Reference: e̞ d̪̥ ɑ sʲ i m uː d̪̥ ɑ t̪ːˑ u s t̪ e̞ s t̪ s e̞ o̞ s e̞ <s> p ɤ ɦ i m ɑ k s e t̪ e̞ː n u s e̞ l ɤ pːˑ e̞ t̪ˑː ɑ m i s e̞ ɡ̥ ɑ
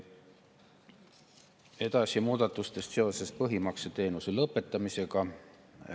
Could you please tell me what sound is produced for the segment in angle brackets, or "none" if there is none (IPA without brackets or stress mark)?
s